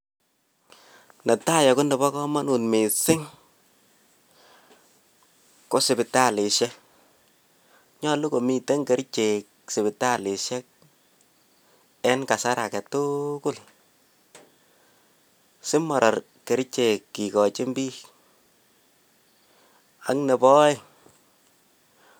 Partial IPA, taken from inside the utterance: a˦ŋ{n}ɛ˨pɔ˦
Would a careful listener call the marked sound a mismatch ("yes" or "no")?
no